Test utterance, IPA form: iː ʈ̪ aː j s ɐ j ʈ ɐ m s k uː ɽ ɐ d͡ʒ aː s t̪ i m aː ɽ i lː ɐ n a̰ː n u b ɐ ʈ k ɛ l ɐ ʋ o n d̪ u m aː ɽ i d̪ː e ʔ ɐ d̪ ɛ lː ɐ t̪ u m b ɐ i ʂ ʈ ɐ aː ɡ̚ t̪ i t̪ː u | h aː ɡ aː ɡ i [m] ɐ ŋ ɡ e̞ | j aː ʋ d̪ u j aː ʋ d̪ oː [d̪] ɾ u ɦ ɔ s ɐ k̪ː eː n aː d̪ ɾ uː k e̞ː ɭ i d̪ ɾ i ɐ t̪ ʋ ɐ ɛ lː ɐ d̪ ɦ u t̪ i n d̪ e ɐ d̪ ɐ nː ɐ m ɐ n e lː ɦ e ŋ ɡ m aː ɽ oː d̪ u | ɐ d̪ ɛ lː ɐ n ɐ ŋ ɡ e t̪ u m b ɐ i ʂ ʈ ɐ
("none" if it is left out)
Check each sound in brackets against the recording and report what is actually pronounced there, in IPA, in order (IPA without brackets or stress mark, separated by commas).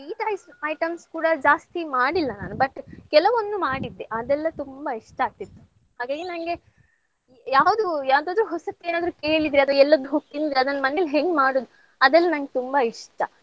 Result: n, d̪